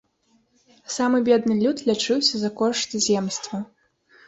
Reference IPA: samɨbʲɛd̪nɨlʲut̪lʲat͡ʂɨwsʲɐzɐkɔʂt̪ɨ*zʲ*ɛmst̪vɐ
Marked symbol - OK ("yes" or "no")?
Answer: yes